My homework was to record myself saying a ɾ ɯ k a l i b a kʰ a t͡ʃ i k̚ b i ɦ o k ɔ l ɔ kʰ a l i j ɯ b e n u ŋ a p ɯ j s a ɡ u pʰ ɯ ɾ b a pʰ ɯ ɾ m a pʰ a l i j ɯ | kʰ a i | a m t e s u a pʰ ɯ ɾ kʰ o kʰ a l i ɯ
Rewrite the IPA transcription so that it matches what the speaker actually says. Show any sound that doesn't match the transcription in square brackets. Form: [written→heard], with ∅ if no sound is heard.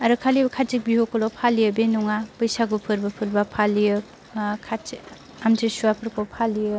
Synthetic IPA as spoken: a ɾ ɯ [k→kʰ] a l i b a kʰ a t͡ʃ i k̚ b i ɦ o k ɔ l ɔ [kʰ→pʰ] a l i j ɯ b e n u ŋ a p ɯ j s a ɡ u pʰ ɯ ɾ b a pʰ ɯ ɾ [m→b] a pʰ a l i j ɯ | kʰ a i | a m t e s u a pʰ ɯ ɾ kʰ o [kʰ→pʰ] a l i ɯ

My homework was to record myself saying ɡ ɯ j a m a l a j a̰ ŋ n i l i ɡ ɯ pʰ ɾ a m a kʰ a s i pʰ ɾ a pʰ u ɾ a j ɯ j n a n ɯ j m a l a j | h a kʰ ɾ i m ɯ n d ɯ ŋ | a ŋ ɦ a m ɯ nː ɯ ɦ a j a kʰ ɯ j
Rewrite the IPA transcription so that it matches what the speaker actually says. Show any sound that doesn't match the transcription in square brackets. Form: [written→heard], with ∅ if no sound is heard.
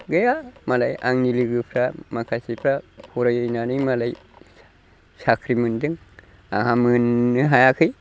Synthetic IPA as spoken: ɡ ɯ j a m a l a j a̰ ŋ n i l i ɡ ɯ pʰ ɾ a m a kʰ a s i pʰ ɾ a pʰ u ɾ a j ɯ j n a n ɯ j m a l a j | [h→s] a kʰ ɾ i m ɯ n d ɯ ŋ | a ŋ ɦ a m ɯ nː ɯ ɦ a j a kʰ ɯ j

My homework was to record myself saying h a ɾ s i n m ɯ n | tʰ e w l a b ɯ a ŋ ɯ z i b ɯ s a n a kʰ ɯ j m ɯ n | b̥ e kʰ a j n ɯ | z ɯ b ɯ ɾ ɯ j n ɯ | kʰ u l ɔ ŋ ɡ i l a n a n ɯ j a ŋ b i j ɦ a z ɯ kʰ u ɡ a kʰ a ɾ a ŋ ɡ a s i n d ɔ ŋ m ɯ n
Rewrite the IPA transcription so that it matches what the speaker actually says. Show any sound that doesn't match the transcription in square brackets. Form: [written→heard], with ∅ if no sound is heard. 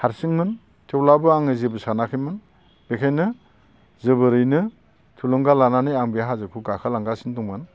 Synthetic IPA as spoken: h a ɾ s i [n→ŋ] m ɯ n | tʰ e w l a b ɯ a ŋ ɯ z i b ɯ s a n a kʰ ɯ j m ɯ n | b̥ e kʰ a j n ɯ | z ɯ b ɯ ɾ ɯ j n ɯ | [kʰ→tʰ] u l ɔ ŋ ɡ [i→a] l a n a n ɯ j a ŋ b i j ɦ a z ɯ kʰ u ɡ a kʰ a [ɾ→l] a ŋ ɡ a s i n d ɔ ŋ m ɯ n

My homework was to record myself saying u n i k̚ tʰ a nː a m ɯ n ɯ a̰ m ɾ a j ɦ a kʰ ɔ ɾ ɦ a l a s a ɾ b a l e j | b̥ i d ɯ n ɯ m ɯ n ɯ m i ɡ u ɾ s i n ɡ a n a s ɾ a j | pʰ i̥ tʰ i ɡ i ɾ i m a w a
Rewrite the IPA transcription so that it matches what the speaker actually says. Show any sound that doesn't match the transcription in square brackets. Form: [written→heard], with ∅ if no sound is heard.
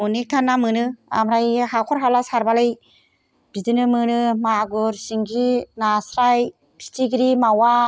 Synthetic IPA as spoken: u n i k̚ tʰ a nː a m ɯ n ɯ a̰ m ɾ a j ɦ a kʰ ɔ ɾ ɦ a l a s a ɾ b a l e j | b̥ i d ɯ n ɯ m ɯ n ɯ m [i→a] ɡ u ɾ s i [n→ŋ] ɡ [a→i] n a s ɾ a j | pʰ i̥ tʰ i ɡ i ɾ i m a w a

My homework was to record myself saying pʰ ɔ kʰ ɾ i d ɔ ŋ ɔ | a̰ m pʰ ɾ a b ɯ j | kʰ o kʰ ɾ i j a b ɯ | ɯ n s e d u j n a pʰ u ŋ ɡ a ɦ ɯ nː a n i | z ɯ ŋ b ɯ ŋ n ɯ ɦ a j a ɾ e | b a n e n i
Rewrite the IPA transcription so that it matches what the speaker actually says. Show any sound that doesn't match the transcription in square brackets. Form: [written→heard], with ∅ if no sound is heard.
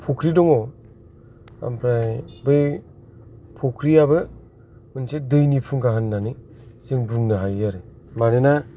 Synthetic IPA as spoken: pʰ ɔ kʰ ɾ i d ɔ ŋ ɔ | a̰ m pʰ ɾ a b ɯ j | [kʰ→pʰ] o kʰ ɾ i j a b ɯ | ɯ n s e d [u→ɯ] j n [a→i] pʰ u ŋ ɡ a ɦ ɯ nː a n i | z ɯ ŋ b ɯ ŋ n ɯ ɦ a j a ɾ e | [b→m] a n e n [i→a]

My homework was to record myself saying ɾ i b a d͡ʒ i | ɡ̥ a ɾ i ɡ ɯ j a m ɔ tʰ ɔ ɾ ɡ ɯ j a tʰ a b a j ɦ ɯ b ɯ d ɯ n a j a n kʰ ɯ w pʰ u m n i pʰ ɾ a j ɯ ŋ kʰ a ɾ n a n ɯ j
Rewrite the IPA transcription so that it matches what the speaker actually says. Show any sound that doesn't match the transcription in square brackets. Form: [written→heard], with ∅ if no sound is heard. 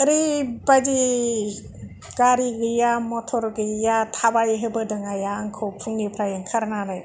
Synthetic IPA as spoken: ɾ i b a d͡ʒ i | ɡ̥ a ɾ i ɡ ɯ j a m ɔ tʰ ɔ ɾ ɡ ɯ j a tʰ a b a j ɦ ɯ b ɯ d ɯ [n→ŋ] a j a [n→ŋ] kʰ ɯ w pʰ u [m→ŋ] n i pʰ ɾ a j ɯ ŋ kʰ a ɾ n a n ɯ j

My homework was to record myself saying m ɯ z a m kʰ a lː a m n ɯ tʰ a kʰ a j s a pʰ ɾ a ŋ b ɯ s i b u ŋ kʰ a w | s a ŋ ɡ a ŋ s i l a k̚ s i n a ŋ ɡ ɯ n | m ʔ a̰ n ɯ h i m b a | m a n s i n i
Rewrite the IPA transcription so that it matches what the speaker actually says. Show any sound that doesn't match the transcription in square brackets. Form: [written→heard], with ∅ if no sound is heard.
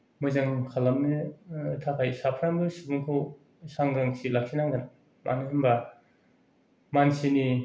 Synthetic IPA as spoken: m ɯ z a [m→ŋ] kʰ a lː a m n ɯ tʰ a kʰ a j s a pʰ ɾ a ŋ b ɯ s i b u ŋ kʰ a w | s a ŋ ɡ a ŋ s i l a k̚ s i n a ŋ ɡ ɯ n | m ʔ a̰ n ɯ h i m b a | m a n s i n i

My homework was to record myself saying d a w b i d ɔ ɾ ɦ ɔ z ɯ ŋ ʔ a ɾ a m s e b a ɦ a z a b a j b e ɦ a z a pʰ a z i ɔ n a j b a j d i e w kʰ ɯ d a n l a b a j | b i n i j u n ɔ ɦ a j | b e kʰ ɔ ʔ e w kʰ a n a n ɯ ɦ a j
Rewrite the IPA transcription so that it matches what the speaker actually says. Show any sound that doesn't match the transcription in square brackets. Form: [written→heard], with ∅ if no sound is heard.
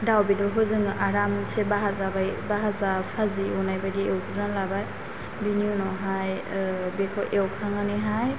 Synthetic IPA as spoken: d a w b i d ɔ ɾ ɦ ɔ z ɯ ŋ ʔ a ɾ a m s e b a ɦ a z a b a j b [e→a] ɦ a z a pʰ a z i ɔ n a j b a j d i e w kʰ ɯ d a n l a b a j | b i n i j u n ɔ ɦ a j | b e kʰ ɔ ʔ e w kʰ a [n→ŋ] a n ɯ ɦ a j

